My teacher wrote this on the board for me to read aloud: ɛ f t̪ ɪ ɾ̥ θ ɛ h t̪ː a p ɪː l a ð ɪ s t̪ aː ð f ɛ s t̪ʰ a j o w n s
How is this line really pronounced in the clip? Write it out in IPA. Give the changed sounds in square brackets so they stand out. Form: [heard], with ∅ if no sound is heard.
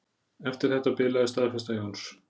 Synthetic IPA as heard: ɛ f t̪ ɪ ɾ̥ θ ɛ h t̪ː a p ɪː l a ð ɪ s t̪ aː ð f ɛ s [t̪] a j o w n s

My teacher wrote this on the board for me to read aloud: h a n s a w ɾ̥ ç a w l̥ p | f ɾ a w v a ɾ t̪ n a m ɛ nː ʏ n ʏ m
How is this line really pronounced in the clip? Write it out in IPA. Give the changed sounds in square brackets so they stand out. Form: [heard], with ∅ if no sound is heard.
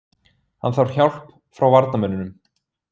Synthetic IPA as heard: h a n [θ] a w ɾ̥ ç a w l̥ p | f ɾ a w v a ɾ t̪ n a m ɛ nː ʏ n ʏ m

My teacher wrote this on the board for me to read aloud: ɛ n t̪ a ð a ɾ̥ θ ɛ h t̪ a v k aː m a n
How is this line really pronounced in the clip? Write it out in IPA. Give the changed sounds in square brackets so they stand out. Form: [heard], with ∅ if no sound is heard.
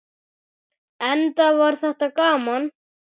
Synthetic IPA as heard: ɛ n t̪ a [v] a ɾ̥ θ ɛ h t̪ a [∅] k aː m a n

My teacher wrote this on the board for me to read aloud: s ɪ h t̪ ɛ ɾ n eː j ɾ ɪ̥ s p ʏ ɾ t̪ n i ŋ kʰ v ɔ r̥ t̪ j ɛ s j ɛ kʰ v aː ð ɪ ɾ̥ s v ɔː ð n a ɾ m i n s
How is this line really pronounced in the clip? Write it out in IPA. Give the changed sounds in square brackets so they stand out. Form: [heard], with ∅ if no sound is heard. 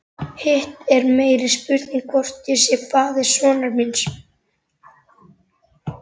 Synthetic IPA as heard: [h] ɪ h t̪ ɛ ɾ [m] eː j ɾ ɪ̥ s p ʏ ɾ t̪ n i ŋ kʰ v ɔ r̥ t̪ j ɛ s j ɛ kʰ v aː ð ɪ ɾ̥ s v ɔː [∅] n a ɾ m i n s

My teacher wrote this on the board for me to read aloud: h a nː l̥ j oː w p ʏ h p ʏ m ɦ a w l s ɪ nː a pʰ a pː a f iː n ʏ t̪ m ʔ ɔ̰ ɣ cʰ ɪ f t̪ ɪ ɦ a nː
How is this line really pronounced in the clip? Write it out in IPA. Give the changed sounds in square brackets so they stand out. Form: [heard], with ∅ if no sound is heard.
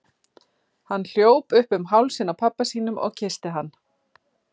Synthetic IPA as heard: h a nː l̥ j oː w p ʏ h p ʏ m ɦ a w l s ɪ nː a pʰ a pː a [s] iː n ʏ [∅] m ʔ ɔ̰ ɣ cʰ ɪ [s] t̪ ɪ ɦ a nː

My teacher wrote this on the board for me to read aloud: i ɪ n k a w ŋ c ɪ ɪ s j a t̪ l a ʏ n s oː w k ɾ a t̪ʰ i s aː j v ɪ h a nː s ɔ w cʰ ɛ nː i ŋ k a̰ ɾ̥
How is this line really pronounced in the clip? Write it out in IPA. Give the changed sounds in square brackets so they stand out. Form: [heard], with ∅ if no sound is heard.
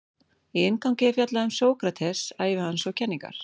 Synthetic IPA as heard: i ɪ n k a w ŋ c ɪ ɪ [f] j a t̪ l a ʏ [m] s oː w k ɾ a t̪ʰ [ɛ] s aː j v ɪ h a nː s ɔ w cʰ ɛ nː i ŋ k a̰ ɾ̥

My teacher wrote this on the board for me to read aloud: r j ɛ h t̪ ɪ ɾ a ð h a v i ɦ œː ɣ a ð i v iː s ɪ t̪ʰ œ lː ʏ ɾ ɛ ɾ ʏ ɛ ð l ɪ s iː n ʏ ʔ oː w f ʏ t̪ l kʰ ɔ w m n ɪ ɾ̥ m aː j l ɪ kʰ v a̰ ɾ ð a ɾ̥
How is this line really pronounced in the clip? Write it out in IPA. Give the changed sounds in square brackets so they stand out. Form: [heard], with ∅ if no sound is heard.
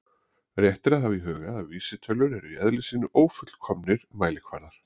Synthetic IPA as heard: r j ɛ h t̪ ɪ ɾ a ð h a v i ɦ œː ɣ a ð [a] v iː s ɪ t̪ʰ œ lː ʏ ɾ ɛ ɾ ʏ ɛ ð l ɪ s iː n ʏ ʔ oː w f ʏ t̪ l kʰ ɔ [∅] m n ɪ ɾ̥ m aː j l ɪ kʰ v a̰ ɾ ð a ɾ̥

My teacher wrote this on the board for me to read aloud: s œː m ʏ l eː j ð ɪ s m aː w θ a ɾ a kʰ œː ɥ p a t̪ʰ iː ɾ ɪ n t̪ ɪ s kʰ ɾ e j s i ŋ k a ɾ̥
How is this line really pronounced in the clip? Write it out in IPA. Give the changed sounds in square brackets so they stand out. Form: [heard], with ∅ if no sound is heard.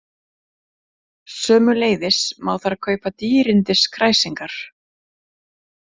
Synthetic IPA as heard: s œː m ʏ l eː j ð ɪ s m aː w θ a ɾ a kʰ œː ɥ p a [t̪] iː ɾ ɪ n t̪ ɪ s kʰ ɾ [a] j s i ŋ k a ɾ̥

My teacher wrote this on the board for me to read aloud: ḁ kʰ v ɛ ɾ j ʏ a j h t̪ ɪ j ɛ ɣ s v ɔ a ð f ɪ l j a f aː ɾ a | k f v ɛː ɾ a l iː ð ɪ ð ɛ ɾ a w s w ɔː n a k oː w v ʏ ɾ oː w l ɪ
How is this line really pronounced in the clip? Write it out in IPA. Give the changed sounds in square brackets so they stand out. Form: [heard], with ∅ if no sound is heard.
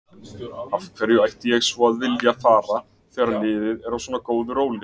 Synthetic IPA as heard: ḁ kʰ v ɛ ɾ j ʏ a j h t̪ ɪ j ɛ ɣ s v ɔ a ð [v] ɪ l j a f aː ɾ a | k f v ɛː ɾ a l [ɪː] ð ɪ ð ɛ ɾ a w s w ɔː n a k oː w [ð] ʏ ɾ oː w l ɪ

